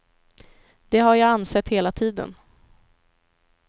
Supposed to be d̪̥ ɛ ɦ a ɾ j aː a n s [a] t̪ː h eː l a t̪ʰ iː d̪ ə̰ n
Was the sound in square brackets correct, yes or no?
no